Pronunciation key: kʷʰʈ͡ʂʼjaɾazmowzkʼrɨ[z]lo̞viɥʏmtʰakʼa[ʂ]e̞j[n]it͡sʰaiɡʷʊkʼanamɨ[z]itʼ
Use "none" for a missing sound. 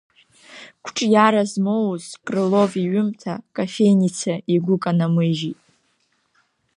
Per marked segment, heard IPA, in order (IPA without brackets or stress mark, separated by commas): none, f, n, ʒ